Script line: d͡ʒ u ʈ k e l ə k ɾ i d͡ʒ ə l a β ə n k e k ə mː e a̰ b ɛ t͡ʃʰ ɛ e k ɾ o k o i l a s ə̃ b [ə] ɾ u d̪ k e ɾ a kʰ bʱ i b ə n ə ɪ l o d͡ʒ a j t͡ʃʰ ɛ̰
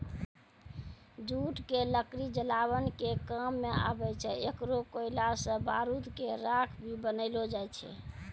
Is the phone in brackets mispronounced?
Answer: yes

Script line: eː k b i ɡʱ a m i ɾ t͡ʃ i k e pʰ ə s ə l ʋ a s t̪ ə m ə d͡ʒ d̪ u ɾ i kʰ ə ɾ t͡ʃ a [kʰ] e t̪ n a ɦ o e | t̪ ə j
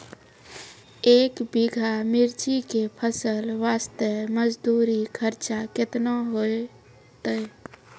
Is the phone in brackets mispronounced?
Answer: yes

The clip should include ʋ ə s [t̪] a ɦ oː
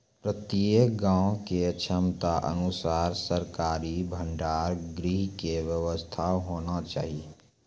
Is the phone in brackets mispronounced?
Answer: yes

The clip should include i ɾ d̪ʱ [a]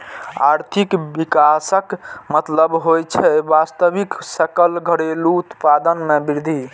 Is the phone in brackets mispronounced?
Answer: yes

